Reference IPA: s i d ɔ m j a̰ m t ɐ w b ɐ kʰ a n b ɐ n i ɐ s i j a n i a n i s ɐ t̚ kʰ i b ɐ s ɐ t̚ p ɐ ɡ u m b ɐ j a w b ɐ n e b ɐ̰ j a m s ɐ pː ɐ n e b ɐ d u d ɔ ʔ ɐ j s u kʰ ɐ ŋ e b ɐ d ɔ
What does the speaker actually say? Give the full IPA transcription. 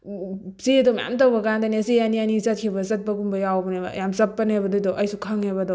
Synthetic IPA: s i d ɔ m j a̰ m t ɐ w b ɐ k a n d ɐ n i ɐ s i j a n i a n i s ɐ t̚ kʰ i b ɐ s ɐ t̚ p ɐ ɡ u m b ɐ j a w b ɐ n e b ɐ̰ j a m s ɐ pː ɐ n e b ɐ d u d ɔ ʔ ɐ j s u kʰ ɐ ŋ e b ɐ d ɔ